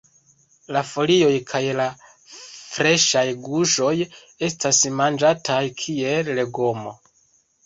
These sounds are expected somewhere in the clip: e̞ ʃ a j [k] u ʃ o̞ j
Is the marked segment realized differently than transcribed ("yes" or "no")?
yes